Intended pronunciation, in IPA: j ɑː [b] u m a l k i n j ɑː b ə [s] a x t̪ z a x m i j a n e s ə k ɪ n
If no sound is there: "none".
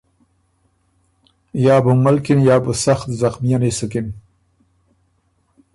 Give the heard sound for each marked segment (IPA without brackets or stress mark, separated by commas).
b, s